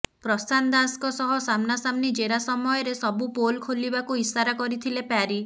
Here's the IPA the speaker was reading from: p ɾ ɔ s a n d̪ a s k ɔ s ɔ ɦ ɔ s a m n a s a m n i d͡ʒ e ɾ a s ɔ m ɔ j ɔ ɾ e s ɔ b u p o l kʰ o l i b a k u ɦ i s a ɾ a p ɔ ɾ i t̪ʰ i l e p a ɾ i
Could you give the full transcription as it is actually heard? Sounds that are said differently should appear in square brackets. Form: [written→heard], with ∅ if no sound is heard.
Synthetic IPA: p ɾ ɔ s a n d̪ a s k ɔ s ɔ ɦ ɔ s a m n a s a m n i d͡ʒ e ɾ a s ɔ m ɔ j ɔ ɾ e s ɔ b u p o l kʰ o l i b a k u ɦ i s a ɾ a [p→k] ɔ ɾ i t̪ʰ i l e p a ɾ i